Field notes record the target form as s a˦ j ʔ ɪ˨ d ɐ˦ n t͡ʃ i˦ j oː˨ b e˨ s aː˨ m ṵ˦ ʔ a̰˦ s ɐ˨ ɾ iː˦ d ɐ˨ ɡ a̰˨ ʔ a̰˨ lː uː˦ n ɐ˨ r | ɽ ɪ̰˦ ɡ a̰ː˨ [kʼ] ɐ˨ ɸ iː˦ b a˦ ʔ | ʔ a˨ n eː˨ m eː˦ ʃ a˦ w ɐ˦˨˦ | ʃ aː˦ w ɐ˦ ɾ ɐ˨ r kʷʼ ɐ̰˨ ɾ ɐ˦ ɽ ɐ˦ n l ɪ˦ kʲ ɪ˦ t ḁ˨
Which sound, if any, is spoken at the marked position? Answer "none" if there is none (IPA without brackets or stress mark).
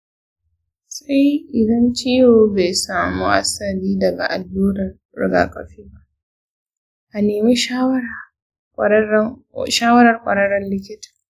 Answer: kʼ